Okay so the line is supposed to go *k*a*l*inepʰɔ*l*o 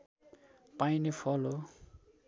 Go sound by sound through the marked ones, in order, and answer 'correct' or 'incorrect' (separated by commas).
incorrect, incorrect, correct